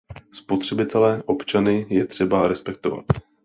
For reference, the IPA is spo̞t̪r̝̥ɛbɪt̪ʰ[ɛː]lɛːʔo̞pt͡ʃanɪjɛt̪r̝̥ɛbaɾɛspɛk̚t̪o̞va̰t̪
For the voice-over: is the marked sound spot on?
no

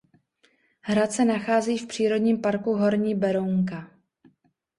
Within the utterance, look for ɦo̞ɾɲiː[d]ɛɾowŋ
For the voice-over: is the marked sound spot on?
no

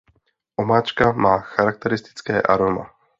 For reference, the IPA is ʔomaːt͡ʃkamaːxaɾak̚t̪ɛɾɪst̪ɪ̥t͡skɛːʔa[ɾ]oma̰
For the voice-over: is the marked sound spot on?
yes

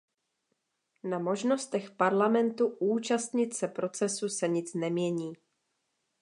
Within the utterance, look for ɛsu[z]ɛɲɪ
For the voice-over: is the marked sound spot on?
no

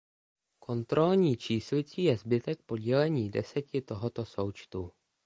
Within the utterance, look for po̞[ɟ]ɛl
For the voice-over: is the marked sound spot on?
yes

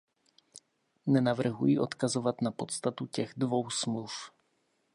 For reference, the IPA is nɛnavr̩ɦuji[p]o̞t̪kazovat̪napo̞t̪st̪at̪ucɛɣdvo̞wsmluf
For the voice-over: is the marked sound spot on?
no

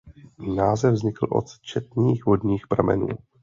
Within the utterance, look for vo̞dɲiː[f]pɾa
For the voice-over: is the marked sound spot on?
no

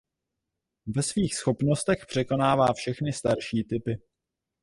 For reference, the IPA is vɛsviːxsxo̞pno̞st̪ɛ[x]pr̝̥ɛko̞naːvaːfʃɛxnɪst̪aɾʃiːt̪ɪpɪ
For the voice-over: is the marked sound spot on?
yes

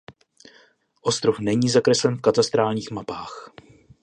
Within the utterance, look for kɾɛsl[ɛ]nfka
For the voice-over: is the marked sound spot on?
yes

